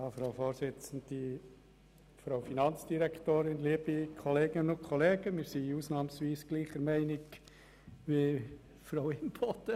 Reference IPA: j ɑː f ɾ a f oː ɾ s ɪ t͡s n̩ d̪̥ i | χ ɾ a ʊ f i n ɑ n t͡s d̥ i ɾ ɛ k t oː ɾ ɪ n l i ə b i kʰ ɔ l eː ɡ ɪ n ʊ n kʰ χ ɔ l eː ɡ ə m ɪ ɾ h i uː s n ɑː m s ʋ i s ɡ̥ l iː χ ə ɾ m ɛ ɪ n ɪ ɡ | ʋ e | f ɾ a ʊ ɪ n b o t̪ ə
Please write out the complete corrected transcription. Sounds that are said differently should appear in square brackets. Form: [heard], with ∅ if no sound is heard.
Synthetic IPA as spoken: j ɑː f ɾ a f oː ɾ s ɪ t͡s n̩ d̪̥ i | [f] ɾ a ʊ f i n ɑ n t͡s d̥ i ɾ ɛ k t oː ɾ ɪ n l i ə b i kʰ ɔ l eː ɡ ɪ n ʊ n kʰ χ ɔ l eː ɡ ə m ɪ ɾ [s] i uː s n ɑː m s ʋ [iː] s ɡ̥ l iː χ ə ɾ m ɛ ɪ n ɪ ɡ | ʋ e | f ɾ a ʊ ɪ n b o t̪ ə